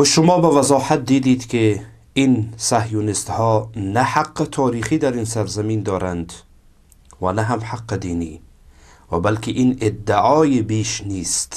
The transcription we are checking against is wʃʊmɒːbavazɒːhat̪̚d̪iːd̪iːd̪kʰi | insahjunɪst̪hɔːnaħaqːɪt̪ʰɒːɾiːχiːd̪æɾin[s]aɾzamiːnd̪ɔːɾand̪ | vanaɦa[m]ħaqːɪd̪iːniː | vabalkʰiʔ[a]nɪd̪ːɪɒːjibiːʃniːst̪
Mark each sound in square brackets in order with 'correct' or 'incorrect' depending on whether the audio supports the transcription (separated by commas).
correct, correct, incorrect